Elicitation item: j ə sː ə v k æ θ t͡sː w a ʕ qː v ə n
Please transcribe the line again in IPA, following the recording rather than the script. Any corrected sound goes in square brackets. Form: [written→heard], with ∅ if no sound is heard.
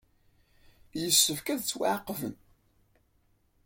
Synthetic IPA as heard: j ə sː ə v k æ [θ→ð] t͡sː w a ʕ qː v ə n